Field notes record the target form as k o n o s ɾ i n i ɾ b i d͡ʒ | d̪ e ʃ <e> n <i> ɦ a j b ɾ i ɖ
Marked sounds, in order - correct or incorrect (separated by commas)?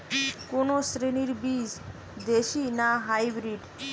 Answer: incorrect, incorrect